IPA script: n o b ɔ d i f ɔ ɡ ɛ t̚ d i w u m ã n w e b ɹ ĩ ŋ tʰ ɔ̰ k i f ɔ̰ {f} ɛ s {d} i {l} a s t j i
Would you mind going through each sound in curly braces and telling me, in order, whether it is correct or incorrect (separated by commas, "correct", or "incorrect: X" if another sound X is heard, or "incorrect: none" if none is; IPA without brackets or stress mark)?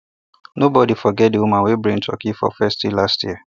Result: correct, incorrect: t, correct